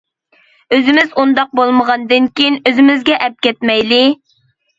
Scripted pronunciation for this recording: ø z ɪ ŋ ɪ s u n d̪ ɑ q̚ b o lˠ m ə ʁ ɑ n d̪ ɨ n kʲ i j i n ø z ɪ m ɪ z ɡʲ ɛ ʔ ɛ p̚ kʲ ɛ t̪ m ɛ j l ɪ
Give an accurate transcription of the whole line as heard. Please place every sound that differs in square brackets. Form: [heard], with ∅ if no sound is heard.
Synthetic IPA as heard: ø z ɪ [m] ɪ [z] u n d̪ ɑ q̚ b o lˠ m ə ʁ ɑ n d̪ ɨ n kʲ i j i n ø z ɪ m ɪ z ɡʲ ɛ ʔ ɛ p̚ kʲ ɛ t̪ m ɛ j l ɪ